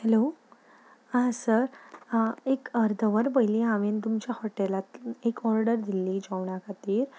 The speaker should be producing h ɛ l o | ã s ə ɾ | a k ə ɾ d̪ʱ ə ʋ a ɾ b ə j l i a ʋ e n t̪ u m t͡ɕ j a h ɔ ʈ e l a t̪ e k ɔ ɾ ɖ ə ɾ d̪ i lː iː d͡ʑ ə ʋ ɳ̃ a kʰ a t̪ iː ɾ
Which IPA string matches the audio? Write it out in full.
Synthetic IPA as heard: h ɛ l o | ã s ə ɾ | e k ə ɾ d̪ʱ ə ʋ ə ɾ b ə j l i a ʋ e n t̪ u m t͡ɕ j a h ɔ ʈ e l a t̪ e k ɔ ɾ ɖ ə ɾ d̪ i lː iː d͡ʑ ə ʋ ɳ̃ a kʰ a t̪ iː ɾ